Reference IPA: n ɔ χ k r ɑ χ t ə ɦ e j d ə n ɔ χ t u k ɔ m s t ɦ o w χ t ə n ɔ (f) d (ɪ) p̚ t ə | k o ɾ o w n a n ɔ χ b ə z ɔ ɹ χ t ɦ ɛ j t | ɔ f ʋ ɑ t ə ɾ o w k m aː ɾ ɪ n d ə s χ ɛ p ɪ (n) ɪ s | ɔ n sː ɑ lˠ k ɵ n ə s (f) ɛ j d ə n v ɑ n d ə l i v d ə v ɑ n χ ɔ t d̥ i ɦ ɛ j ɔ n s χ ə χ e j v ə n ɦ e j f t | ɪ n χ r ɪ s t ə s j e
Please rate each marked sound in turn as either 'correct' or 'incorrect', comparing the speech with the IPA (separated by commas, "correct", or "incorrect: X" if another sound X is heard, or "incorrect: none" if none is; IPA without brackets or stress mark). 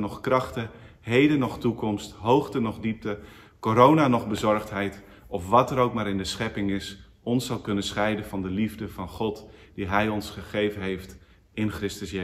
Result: incorrect: χ, incorrect: i, incorrect: ŋ, incorrect: χ